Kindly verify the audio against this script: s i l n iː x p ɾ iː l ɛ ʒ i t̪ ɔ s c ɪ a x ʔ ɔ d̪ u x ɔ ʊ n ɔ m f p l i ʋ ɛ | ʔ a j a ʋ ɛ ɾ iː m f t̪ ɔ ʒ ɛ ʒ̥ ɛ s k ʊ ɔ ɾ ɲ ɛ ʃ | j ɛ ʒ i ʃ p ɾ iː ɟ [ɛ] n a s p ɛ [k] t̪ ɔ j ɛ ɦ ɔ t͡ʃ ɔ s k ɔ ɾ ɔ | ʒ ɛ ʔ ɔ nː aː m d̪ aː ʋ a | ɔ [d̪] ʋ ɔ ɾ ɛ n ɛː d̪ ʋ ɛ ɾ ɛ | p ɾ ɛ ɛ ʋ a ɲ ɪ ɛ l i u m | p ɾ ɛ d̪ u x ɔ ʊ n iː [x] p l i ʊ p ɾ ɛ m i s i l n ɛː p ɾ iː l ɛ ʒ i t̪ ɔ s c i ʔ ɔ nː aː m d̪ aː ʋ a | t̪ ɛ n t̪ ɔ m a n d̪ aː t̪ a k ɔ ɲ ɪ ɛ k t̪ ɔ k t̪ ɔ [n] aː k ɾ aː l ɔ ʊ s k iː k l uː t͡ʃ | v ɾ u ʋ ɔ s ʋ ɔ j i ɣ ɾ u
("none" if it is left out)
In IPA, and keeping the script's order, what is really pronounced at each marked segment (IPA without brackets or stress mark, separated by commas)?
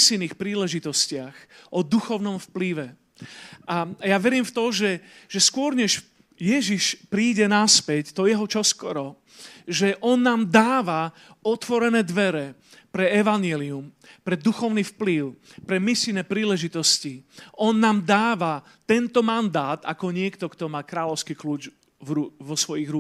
ɛ, c, t̪, f, m